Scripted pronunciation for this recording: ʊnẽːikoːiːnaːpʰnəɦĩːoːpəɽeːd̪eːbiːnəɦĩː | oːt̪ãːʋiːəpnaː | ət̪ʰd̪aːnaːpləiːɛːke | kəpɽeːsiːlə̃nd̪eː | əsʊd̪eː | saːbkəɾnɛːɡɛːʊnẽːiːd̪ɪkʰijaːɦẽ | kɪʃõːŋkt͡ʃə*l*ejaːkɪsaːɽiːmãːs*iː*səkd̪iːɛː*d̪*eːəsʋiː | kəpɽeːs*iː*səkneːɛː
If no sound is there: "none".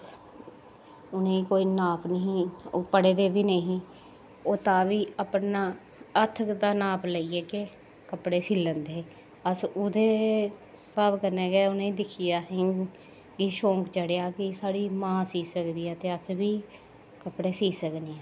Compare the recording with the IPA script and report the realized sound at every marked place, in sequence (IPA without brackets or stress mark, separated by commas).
ɽ, iː, t̪, iː